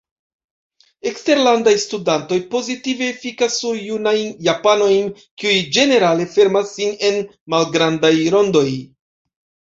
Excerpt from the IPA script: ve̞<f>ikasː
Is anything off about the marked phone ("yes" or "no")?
no